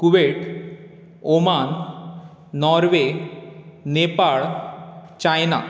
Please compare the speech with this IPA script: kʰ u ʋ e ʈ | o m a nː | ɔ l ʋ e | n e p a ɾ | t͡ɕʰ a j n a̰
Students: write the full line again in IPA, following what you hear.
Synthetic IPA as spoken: k u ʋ e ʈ | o m a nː | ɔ ɾ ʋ e | n e p a ɭ | t͡ɕ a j n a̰